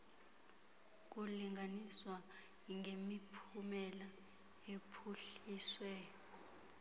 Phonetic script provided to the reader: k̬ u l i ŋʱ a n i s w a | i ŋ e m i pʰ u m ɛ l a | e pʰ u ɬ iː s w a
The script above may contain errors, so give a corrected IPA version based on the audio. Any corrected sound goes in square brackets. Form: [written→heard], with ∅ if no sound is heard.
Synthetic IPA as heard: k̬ u l i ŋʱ a n i s w a | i ŋ e m i pʰ u m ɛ l a | e pʰ u ɬ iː s w [a→ɛ]